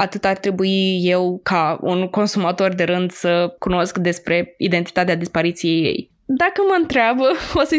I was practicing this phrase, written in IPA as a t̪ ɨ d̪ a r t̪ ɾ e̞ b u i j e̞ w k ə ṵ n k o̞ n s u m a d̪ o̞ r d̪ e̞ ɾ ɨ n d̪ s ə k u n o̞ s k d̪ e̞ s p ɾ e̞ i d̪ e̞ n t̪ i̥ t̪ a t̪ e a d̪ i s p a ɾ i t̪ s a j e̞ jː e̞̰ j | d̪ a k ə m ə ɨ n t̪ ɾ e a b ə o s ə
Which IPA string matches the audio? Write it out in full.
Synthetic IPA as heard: a t̪ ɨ t̪ a r t̪ ɾ e̞ b u i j e̞ w k a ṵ n k o̞ n s u m a t̪ o̞ r d̪ e̞ ɾ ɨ n d̪ s ə k u n o̞ s k d̪ e̞ s p ɾ e̞ i d̪ e̞ n t̪ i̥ t̪ a t̪ e a d̪ i s p a ɾ i t̪ s i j e̞ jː e̞̰ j | d̪ a k ə m ə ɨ n t̪ ɾ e a b ə o s ə